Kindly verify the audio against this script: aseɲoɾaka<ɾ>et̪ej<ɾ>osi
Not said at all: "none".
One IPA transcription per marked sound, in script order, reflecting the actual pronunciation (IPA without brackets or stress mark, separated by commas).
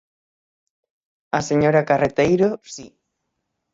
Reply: r, ɾ